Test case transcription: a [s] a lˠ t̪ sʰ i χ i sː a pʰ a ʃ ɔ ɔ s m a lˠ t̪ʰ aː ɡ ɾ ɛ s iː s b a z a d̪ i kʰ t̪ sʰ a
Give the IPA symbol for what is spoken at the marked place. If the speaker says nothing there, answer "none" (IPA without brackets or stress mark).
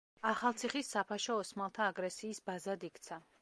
χ